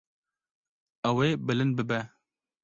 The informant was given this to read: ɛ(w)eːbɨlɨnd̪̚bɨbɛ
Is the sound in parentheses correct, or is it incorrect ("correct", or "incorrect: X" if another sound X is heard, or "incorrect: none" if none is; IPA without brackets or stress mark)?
correct